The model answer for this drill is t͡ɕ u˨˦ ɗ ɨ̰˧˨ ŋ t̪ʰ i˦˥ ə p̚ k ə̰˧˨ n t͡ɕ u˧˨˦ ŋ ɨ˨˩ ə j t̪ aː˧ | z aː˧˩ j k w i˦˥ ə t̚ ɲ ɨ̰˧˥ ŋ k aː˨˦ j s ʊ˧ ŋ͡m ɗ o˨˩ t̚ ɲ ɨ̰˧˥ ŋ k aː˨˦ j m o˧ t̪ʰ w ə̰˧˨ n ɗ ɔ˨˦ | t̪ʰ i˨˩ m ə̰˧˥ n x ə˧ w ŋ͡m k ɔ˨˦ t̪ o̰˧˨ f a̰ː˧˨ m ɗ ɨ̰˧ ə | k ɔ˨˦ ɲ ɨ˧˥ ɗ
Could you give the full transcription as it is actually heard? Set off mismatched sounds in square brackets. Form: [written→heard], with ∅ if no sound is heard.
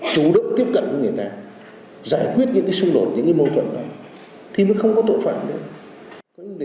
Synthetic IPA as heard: t͡ɕ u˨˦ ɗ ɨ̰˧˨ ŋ [t̪ʰ→t̪] i˦˥ ə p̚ k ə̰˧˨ n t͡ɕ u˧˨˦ ŋ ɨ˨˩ ə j t̪ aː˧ | z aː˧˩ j k w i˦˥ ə t̚ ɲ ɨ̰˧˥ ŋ k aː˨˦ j s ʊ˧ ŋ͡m ɗ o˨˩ t̚ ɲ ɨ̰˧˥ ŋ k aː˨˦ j m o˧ t̪ʰ w ə̰˧˨ n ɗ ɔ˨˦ | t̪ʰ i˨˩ m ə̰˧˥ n x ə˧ w ŋ͡m k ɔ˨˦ t̪ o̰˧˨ f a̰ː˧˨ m ɗ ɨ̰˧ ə | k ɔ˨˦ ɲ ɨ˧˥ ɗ